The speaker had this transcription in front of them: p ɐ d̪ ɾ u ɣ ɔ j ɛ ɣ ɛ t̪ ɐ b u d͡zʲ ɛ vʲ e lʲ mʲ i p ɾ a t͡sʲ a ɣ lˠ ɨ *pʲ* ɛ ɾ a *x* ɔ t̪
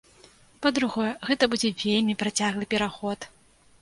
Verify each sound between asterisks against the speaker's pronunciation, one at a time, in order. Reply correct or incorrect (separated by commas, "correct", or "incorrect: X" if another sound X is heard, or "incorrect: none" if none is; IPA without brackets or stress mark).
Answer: correct, correct